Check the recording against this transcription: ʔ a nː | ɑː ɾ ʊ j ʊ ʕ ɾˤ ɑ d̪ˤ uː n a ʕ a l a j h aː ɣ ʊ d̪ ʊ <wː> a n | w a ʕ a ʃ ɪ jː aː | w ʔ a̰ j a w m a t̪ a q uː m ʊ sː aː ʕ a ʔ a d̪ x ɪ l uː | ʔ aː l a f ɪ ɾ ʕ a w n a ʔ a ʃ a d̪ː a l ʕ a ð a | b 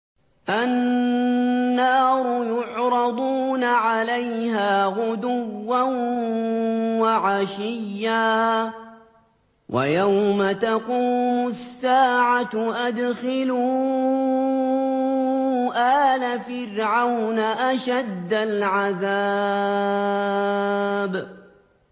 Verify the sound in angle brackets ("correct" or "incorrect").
correct